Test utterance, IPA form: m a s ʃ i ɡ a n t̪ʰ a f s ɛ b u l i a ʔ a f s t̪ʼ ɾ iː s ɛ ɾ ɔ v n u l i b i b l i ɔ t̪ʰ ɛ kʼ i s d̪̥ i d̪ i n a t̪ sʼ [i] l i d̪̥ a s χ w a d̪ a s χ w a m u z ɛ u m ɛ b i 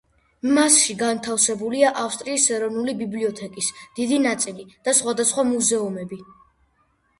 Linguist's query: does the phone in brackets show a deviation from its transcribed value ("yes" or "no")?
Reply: no